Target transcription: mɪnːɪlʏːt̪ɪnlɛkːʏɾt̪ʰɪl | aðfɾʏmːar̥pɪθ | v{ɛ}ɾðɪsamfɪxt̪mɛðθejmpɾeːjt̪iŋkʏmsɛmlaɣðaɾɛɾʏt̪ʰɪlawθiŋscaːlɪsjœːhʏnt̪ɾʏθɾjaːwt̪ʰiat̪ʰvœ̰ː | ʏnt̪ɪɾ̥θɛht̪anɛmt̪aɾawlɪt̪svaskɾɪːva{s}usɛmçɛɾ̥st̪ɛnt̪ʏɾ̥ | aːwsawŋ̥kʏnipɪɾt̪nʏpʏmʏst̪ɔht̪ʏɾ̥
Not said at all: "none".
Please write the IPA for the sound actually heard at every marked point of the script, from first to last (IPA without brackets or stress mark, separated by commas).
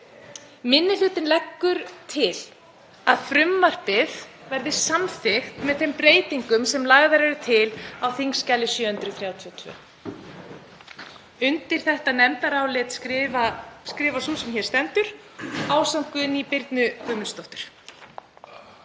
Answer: ɛ, s